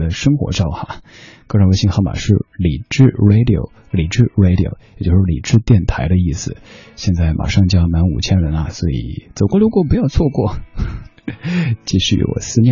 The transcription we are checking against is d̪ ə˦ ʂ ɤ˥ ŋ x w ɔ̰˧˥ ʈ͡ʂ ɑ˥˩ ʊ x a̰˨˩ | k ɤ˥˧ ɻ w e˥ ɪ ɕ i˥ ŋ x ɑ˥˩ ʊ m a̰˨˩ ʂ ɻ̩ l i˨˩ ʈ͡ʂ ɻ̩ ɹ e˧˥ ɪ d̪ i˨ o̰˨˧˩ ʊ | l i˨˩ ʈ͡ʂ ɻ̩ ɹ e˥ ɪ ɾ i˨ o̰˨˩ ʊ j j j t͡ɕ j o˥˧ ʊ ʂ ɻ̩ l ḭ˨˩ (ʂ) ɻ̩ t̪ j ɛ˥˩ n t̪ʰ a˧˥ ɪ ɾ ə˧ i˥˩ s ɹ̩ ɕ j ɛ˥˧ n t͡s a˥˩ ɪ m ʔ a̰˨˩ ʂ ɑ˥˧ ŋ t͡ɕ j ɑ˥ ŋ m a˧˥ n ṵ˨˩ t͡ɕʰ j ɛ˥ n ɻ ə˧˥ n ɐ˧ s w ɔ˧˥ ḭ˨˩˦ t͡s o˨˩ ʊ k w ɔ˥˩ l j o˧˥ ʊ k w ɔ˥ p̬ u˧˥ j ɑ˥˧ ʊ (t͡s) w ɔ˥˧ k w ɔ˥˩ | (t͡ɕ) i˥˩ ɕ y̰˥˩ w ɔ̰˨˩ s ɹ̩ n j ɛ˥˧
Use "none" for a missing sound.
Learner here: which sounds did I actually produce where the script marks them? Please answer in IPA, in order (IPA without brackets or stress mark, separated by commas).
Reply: ʈ͡ʂ, t͡sʰ, t͡ɕ